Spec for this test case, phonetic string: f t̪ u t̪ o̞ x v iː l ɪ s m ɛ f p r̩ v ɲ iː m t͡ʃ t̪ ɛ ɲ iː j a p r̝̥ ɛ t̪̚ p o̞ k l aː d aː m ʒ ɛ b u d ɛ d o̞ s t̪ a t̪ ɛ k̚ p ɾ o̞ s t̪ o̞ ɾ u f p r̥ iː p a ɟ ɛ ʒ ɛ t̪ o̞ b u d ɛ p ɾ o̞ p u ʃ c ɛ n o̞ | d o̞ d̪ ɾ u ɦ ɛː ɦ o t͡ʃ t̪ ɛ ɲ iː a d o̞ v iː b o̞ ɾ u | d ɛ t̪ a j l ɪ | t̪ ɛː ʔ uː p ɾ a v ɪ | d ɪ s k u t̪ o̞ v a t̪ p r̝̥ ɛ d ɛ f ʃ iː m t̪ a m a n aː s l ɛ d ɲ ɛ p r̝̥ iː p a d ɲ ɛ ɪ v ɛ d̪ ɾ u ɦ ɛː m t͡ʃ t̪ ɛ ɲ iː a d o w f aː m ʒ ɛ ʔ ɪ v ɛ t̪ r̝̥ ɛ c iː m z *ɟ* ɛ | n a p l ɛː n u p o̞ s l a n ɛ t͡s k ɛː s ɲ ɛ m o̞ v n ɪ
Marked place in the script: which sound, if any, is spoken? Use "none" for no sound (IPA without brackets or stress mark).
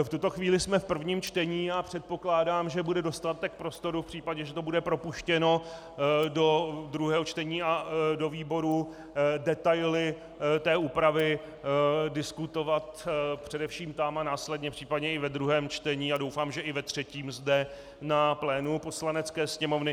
d